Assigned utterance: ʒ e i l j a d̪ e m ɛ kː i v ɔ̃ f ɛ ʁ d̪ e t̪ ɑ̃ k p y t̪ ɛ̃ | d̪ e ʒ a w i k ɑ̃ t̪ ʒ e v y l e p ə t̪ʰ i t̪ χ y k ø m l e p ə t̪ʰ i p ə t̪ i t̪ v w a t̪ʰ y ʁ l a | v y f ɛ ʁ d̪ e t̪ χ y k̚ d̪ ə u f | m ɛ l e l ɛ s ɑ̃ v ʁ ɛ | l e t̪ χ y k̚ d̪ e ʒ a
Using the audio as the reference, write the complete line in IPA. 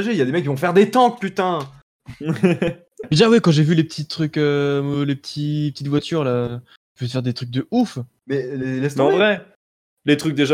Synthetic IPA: ʒ e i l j a d̪ e m ɛ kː i v ɔ̃ f ɛ ʁ d̪ e t̪ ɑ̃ k p y t̪ ɛ̃ | d̪ e ʒ a w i k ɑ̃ ʒ e v y l e p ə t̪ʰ i t̪ χ y k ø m l e p ə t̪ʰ i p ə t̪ i t̪ v w a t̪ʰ y ʁ l a | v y f ɛ ʁ d̪ e t̪ χ y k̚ d̪ ə u f | m ɛ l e l ɛ s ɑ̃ v ʁ ɛ | l e t̪ χ y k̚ d̪ e ʒ a